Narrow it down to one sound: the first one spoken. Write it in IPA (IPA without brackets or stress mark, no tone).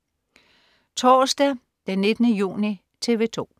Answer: t͡sʰ